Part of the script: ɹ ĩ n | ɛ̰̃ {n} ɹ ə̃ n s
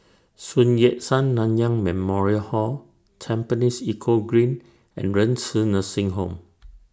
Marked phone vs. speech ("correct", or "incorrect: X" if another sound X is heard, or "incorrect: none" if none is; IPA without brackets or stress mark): correct